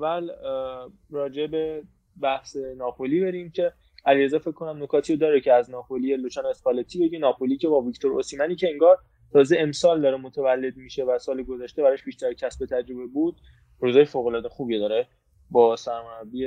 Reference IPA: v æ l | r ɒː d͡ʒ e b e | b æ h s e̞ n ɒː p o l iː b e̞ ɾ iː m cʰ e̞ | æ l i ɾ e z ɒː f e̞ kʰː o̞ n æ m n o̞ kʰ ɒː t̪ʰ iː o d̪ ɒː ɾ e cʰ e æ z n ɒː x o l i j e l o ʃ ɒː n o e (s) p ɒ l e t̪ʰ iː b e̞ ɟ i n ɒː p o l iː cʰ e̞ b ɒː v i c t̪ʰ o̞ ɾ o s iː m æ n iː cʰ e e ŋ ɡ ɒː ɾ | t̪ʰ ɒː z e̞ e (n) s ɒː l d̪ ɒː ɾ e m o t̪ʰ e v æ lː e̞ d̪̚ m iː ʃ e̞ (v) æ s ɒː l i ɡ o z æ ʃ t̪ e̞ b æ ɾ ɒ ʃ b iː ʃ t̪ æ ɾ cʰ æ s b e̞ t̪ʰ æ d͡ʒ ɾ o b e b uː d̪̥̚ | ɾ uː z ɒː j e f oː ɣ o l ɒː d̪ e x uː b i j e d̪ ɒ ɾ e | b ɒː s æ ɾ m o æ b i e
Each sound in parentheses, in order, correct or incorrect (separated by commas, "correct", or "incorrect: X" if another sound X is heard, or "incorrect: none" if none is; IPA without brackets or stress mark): correct, incorrect: m, correct